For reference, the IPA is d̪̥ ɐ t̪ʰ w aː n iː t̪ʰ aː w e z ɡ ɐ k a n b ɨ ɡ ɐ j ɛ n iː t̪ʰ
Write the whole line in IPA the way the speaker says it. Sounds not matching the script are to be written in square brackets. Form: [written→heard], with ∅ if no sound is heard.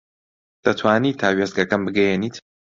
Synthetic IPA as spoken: d̪̥ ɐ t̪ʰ w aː n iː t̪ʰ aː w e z ɡ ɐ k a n b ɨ ɡ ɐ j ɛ n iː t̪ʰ